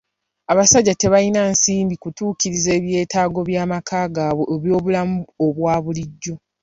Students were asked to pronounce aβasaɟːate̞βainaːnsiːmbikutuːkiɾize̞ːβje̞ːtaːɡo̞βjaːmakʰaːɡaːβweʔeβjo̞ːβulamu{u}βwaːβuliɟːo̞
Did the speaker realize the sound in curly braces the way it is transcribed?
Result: no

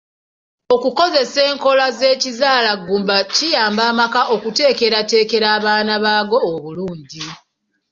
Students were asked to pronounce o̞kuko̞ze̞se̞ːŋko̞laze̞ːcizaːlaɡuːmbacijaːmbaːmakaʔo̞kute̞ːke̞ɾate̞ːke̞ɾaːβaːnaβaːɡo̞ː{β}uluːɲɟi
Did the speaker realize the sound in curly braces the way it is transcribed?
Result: yes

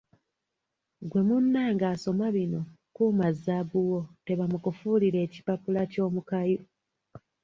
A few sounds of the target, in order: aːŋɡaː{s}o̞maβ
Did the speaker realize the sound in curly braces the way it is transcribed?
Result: yes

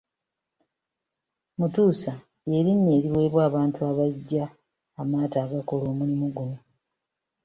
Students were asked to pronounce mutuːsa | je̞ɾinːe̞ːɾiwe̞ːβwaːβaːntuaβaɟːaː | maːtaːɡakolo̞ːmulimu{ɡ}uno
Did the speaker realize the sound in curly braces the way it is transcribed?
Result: yes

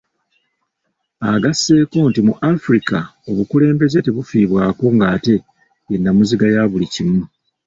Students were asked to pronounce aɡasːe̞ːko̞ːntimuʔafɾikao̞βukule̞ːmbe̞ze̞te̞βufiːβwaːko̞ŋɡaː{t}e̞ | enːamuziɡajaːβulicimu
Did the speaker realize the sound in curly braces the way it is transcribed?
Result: yes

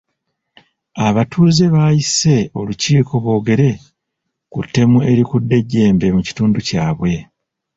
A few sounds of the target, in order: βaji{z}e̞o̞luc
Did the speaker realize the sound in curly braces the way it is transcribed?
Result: no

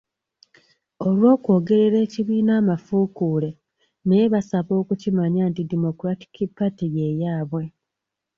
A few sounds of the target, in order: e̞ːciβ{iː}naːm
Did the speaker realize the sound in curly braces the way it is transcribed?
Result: yes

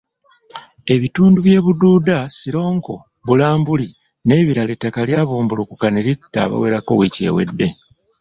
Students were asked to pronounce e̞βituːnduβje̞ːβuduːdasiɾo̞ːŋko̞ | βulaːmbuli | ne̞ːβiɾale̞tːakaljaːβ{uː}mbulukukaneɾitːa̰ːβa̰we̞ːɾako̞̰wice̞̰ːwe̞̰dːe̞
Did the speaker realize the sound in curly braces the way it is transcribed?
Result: yes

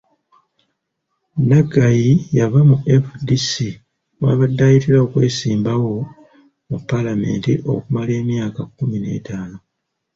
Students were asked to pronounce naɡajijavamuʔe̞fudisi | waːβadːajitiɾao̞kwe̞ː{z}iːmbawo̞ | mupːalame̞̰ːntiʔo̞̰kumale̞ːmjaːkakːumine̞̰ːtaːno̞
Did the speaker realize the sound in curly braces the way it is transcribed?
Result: no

